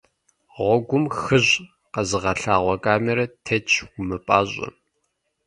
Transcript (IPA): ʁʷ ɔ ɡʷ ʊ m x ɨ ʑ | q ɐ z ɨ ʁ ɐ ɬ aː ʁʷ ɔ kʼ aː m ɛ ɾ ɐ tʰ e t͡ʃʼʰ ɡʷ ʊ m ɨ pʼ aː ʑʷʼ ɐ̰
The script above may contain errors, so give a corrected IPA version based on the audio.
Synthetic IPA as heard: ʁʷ ɔ ɡʷ ʊ m x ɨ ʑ | q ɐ z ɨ ʁ ɐ ɬ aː ʁʷ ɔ kʼ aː m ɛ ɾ ɐ tʰ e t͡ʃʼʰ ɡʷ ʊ m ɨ pʼ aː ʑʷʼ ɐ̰